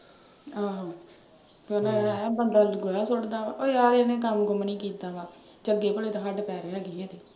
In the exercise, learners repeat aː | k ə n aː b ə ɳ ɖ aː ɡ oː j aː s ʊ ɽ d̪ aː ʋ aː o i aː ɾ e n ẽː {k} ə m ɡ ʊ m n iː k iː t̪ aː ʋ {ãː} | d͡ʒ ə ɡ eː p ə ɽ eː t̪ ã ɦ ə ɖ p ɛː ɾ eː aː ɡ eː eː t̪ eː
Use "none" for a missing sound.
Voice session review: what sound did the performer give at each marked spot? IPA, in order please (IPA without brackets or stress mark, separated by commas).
k, aː